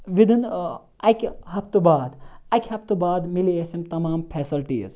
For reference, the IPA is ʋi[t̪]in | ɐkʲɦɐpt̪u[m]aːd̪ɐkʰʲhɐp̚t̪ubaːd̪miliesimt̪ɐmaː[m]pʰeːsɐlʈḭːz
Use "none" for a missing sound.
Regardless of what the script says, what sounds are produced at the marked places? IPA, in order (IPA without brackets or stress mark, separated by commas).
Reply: d̪, b, m